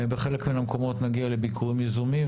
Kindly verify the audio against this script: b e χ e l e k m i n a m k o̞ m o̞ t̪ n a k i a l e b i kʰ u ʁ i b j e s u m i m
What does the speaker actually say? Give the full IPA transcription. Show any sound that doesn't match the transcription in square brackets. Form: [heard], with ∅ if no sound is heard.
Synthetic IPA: b e χ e l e k m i n a m k o̞ m o̞ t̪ n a [ɡ] i a l e b i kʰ u ʁ i [m] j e [z] u m i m